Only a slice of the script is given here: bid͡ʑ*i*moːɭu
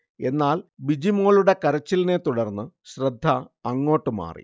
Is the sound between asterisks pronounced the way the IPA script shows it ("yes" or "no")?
yes